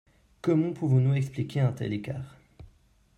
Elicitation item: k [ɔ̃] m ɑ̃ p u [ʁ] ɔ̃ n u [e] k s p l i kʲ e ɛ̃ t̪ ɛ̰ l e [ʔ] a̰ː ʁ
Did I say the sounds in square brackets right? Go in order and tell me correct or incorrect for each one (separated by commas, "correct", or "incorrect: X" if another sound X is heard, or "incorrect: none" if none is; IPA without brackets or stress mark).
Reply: incorrect: ɔ, incorrect: v, incorrect: ɛ, incorrect: k